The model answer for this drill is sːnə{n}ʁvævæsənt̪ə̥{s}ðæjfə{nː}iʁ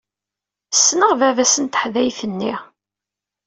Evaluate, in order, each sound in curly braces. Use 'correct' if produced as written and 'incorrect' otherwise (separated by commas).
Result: incorrect, incorrect, correct